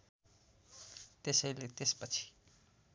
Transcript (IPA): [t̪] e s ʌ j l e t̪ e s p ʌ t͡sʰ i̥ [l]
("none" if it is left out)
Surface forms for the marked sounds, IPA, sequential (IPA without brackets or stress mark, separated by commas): t̪, none